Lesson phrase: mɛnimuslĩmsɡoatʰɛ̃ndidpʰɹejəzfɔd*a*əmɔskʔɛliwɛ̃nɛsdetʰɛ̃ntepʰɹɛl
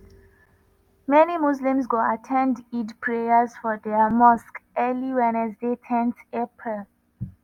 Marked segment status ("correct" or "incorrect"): incorrect